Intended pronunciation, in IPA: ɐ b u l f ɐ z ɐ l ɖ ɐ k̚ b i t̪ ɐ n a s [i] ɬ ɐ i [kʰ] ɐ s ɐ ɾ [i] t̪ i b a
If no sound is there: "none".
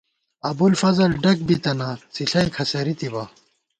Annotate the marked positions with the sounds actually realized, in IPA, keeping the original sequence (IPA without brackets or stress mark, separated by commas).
i, kʰ, i